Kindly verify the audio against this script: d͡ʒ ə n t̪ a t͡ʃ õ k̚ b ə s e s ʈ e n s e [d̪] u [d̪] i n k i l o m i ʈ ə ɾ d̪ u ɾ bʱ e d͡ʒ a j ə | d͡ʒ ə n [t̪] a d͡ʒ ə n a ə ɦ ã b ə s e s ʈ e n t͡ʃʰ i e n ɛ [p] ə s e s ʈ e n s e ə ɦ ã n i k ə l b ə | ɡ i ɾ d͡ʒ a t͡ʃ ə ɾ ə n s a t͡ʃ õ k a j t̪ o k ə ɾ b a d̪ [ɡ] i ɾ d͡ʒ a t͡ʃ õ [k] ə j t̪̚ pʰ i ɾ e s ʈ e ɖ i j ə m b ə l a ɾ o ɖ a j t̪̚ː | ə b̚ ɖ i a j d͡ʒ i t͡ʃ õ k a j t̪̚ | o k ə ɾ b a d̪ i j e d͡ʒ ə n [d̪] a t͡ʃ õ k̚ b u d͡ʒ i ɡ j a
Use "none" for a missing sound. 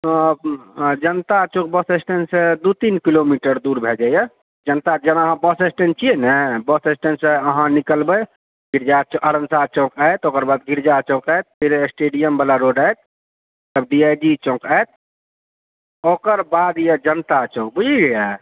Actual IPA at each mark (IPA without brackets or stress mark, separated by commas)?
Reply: d̪, t̪, t̪, b, ɡ, k, t̪